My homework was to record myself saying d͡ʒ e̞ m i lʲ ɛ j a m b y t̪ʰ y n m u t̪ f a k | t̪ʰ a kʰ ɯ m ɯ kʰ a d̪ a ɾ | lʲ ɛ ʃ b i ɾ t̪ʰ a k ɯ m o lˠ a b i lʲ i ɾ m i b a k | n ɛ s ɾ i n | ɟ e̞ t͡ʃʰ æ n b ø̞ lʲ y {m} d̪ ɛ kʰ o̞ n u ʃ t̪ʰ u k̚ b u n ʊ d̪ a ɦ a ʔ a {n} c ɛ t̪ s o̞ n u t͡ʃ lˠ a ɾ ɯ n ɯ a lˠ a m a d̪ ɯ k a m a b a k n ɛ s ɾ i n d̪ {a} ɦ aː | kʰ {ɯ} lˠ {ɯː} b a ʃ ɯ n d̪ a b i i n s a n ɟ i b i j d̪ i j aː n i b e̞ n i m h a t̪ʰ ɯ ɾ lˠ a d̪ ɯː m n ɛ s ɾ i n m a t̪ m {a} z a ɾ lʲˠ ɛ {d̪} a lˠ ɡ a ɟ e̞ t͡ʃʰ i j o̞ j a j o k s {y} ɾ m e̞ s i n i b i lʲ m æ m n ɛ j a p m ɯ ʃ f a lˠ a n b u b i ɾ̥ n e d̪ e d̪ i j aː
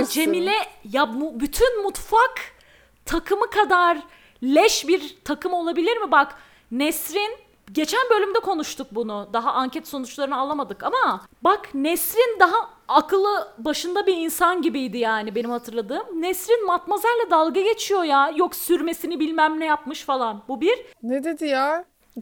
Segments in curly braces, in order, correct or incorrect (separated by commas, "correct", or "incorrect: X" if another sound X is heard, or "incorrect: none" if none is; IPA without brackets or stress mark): correct, incorrect: ɲ, correct, correct, incorrect: ɯ, correct, correct, correct